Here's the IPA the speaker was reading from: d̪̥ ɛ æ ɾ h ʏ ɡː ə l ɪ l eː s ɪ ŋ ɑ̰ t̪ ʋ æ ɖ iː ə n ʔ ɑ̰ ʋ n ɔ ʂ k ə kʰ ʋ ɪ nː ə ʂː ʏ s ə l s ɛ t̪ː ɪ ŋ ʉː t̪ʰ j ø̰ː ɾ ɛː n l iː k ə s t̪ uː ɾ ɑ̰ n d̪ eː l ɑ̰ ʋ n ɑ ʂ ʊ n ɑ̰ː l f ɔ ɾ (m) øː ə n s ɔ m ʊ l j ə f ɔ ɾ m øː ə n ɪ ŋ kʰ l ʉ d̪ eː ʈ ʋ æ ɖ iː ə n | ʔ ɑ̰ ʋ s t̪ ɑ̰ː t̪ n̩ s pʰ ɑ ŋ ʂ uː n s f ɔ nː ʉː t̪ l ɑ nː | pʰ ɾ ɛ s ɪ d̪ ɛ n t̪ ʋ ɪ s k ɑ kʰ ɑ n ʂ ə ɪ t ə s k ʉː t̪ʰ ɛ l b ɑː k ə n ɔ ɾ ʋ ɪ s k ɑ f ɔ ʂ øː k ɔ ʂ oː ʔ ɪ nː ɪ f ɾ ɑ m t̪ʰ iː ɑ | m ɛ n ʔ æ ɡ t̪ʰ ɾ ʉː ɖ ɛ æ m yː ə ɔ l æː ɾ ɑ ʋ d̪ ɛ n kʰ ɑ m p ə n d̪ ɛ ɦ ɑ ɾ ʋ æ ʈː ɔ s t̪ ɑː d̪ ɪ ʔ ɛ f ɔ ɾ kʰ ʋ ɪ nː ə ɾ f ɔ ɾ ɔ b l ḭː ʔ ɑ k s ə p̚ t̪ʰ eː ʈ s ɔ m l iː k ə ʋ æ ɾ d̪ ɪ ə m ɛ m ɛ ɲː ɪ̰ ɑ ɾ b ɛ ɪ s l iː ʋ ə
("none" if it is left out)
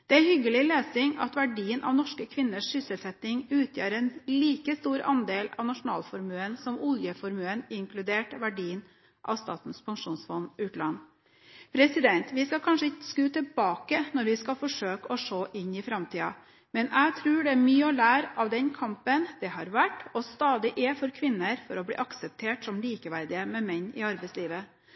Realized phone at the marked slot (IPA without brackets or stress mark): m